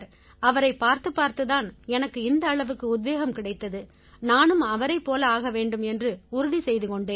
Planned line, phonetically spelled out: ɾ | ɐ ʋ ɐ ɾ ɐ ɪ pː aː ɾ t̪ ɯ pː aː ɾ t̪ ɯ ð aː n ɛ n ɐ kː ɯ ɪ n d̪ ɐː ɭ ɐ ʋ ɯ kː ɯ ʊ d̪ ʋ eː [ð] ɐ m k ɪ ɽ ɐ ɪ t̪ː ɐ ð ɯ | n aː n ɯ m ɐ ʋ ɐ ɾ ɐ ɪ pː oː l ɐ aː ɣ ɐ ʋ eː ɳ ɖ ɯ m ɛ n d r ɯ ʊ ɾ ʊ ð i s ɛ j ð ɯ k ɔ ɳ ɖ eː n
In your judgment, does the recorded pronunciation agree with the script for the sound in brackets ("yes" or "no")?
no